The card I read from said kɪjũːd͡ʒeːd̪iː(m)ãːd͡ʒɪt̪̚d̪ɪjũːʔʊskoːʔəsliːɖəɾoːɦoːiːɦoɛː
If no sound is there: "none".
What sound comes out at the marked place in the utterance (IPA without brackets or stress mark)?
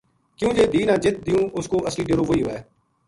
n